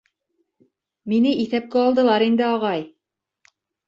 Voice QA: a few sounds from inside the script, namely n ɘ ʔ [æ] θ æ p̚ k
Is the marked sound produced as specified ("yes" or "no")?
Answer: no